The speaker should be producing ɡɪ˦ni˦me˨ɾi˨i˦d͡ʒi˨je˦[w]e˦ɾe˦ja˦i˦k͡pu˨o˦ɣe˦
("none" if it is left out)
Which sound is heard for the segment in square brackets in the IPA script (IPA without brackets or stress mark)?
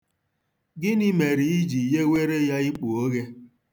w